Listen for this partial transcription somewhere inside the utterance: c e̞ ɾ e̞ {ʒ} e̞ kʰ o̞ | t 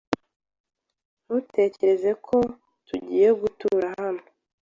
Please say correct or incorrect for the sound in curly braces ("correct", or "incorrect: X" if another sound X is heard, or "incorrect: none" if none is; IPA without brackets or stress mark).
incorrect: z